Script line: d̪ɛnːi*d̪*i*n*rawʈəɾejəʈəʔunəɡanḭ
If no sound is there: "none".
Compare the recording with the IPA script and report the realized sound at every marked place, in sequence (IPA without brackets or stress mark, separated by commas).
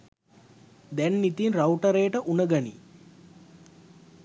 t̪, n